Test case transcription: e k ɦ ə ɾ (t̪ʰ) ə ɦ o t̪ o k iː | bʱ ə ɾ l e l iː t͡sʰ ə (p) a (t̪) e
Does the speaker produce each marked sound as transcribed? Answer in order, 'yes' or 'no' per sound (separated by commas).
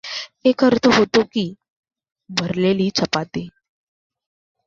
yes, yes, yes